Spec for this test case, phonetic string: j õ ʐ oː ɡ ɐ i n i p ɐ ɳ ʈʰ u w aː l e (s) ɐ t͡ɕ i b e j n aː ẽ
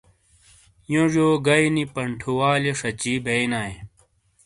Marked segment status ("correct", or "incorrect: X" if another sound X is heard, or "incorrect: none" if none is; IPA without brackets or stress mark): incorrect: ʂ